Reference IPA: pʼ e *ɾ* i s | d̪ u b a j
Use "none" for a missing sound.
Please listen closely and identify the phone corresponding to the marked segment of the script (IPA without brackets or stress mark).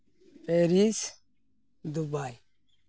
ɾ